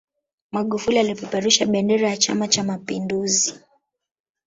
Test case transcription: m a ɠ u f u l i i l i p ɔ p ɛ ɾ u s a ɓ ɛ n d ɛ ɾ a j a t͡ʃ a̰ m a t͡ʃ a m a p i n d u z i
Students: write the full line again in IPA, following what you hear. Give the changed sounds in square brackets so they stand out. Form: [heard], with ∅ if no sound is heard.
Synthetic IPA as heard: m a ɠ u f u l i [a] l i p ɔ p ɛ ɾ u [ʃ] a ɓ ɛ n d ɛ ɾ a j a t͡ʃ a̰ m a t͡ʃ a m a p i n d u z i